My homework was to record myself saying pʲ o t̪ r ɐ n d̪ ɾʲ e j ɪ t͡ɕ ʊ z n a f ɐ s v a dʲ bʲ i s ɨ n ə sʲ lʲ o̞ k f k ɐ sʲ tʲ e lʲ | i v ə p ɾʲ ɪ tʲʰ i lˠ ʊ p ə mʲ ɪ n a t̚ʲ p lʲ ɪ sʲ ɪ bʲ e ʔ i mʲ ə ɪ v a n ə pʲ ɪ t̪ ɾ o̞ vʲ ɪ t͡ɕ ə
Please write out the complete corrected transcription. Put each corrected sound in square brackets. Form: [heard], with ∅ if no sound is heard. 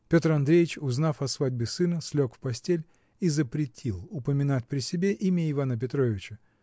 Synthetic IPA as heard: pʲ o t̪ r ɐ n d̪ ɾʲ e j ɪ t͡ɕ ʊ z n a f ɐ s v a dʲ bʲ [ɪ] s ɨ n ə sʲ lʲ o̞ k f [p] ɐ sʲ tʲ e lʲ | i [z] ə p ɾʲ ɪ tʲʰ i lˠ ʊ p ə mʲ ɪ n a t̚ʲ p [ɾʲ] ɪ sʲ ɪ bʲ e ʔ i mʲ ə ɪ v a n ə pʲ ɪ t̪ ɾ o̞ vʲ ɪ t͡ɕ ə

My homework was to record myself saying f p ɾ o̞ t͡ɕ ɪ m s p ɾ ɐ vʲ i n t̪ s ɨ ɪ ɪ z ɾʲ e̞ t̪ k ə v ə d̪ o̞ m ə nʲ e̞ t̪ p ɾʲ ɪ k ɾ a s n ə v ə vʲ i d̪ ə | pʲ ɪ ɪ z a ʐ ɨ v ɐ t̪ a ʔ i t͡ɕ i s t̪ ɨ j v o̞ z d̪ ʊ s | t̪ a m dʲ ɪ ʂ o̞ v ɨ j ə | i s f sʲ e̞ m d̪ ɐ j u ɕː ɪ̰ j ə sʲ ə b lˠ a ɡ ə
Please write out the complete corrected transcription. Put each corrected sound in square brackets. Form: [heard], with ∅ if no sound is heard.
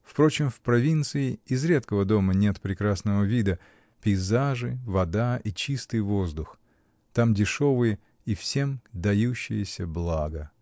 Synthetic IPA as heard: f p ɾ o̞ t͡ɕ ɪ m [f] p ɾ ɐ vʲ i n t̪ s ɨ ɪ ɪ z ɾʲ e̞ t̪ k ə v ə d̪ o̞ m ə nʲ e̞ t̪ p ɾʲ ɪ k ɾ a s n ə v ə vʲ i d̪ ə | pʲ ɪ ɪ z a ʐ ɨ v ɐ [d̪] a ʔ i t͡ɕ i s t̪ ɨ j v o̞ z d̪ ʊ [x] | t̪ a m dʲ ɪ ʂ o̞ v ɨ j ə | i [∅] f sʲ e̞ m d̪ ɐ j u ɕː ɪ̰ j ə sʲ ə b lˠ a ɡ ə

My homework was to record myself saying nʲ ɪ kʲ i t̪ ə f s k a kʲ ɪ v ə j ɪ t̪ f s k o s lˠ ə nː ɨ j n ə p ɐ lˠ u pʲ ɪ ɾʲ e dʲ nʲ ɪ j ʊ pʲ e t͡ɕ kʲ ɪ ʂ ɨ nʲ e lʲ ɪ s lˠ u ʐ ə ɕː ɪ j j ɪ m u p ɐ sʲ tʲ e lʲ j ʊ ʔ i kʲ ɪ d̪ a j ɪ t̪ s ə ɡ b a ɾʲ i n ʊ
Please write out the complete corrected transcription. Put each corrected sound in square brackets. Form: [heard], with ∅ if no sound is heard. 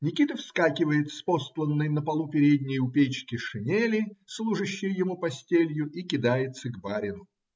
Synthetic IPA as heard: nʲ ɪ kʲ i t̪ ə f s k a kʲ ɪ v ə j ɪ t̪ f s [p] o s lˠ ə nː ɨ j n ə p ɐ lˠ u pʲ ɪ ɾʲ e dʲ nʲ ɪ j ʊ pʲ e t͡ɕ kʲ ɪ ʂ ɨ nʲ e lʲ ɪ s lˠ u ʐ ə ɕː ɪ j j ɪ m u p ɐ sʲ tʲ e lʲ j ʊ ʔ i kʲ ɪ d̪ a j ɪ t̪ s ə ɡ b a ɾʲ [ɪ] n ʊ

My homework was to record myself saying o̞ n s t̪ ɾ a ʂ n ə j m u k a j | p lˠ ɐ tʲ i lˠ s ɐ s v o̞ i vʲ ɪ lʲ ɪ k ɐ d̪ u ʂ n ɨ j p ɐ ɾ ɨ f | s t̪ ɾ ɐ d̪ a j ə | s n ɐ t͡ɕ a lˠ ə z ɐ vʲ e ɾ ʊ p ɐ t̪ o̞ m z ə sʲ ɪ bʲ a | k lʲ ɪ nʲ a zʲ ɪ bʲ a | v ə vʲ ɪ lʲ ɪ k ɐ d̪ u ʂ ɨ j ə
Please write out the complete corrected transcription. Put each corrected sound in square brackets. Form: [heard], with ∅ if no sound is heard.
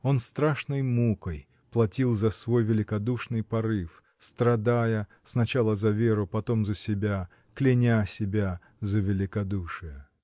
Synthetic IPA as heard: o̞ n s t̪ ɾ a ʂ n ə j m u k [ə] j | p lˠ ɐ tʲ i lˠ [z] ɐ s v o̞ [j] vʲ ɪ lʲ ɪ k ɐ d̪ u ʂ n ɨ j p ɐ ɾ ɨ f | s t̪ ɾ ɐ d̪ a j ə | s n ɐ t͡ɕ a lˠ ə z ɐ vʲ e ɾ ʊ p ɐ t̪ o̞ m z ə sʲ ɪ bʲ a | k lʲ ɪ nʲ a [sʲ] ɪ bʲ a | [z] ə vʲ ɪ lʲ ɪ k ɐ d̪ u ʂ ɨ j ə

